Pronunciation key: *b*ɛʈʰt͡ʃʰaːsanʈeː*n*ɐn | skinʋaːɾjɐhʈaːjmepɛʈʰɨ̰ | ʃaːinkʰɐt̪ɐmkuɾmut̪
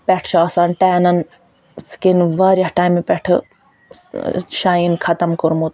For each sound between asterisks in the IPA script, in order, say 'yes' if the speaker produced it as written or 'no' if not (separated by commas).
no, yes